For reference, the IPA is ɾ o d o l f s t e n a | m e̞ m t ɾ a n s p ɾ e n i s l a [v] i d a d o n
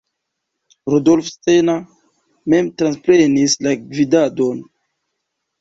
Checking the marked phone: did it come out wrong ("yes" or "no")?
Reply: no